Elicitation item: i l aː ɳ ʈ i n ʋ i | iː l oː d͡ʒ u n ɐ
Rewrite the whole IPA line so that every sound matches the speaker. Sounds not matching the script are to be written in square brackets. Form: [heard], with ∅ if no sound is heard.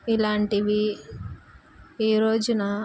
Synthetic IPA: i l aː ɳ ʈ i [∅] ʋ i | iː [ɾ] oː d͡ʒ u n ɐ